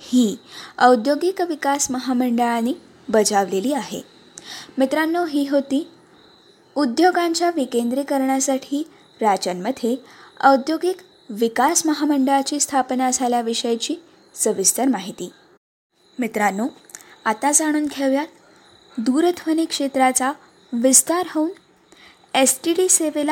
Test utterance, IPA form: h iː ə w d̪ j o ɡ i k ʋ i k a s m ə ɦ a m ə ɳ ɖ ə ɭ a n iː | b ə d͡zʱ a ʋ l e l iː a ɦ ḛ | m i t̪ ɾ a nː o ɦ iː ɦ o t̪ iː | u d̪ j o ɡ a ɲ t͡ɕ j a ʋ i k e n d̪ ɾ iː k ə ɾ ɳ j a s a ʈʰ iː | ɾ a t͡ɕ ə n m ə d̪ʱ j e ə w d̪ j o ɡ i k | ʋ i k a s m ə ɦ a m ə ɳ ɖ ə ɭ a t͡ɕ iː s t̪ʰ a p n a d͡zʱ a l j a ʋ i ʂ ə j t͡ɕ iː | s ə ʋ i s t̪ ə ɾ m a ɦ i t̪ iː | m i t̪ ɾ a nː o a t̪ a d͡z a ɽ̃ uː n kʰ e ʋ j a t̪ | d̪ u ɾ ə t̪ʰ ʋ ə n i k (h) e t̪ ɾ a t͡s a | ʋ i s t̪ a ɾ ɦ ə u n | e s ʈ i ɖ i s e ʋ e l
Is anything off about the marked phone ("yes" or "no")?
yes